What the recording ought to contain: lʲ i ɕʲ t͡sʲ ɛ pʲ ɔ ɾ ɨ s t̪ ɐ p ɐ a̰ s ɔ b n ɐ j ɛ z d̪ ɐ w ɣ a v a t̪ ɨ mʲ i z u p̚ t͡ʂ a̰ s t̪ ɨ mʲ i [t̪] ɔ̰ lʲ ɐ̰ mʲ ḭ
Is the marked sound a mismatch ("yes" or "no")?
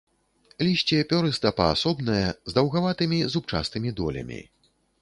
yes